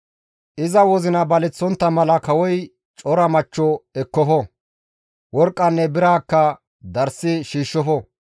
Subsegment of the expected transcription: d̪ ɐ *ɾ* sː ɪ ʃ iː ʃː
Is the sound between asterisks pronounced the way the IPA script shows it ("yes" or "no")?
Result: yes